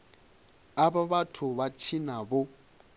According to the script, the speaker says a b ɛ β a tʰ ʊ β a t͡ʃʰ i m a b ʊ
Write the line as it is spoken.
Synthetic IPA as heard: a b a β a tʰ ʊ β a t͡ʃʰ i n a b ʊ